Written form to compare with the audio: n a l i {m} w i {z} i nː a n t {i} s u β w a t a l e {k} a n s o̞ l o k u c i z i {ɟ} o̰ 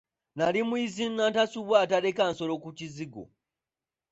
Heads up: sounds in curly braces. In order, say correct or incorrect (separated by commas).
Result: correct, correct, incorrect, correct, incorrect